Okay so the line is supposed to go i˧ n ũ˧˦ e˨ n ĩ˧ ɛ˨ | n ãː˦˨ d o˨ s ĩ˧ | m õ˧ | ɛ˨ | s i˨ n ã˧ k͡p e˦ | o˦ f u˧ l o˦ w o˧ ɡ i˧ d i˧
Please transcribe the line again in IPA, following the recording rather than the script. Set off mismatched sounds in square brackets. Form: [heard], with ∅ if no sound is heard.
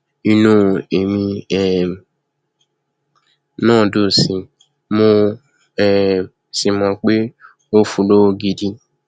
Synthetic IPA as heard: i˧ n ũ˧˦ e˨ [m] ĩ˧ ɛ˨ | n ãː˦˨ d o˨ s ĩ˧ | m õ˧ | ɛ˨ | s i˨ [m] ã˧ k͡p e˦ | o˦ f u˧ l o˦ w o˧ ɡ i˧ d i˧